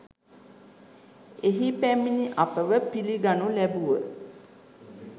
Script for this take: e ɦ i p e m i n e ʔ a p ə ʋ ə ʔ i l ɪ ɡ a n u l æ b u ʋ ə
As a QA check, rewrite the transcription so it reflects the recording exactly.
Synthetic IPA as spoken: e ɦ i p æ m i n i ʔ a p ə ʋ ə p i l i ɡ a n u l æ b u ʋ ə

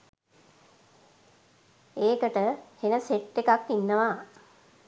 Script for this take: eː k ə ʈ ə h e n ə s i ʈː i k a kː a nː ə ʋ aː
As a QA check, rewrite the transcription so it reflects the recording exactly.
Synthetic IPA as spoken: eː k ə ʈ ə h e n ə s e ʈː e k a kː i nː ə ʋ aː

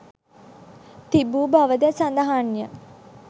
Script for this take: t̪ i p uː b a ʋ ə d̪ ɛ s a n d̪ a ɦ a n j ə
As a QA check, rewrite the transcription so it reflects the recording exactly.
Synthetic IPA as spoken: t̪ i b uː b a ʋ ə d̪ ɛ s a n d̪ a ɦ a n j ə

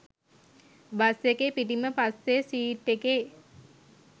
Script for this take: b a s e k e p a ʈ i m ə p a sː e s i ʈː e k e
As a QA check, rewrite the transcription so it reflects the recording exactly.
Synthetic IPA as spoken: b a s e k e p i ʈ i m ə p a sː e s iː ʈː e k e

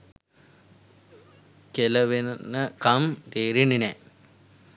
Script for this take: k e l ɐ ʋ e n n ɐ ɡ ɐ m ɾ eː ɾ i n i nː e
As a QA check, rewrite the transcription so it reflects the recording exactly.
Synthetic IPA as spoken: k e l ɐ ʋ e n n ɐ k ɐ m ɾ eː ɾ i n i n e

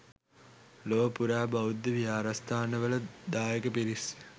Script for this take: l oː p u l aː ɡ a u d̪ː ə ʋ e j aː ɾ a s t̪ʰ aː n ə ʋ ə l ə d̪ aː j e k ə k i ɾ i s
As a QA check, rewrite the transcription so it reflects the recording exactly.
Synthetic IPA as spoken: l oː p u ɾ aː b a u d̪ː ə ʋ i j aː ɾ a s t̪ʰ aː n ə ʋ ə l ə d̪ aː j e k ə p i ɾ i s

